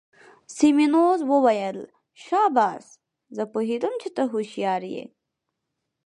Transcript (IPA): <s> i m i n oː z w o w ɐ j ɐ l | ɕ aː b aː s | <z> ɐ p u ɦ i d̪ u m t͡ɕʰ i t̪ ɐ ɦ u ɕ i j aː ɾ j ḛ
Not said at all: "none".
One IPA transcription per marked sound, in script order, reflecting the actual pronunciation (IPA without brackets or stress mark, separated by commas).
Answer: s, z